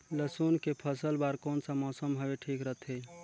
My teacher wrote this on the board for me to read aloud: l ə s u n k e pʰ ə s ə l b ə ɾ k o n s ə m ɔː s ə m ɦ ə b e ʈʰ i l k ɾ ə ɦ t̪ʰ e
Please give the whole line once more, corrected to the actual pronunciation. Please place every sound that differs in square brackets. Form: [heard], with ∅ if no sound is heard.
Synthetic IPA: l ə s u n k e pʰ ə s ə l b [a] ɾ k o n s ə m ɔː s ə m ɦ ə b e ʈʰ i [∅] k ɾ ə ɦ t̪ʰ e